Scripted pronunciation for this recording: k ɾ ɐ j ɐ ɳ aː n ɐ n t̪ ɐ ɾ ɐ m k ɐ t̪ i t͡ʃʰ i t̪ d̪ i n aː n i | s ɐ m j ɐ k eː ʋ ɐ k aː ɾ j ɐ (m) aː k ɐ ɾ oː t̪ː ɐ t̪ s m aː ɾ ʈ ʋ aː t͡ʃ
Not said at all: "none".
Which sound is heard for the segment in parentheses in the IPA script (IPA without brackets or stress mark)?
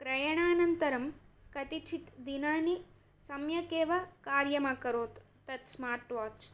m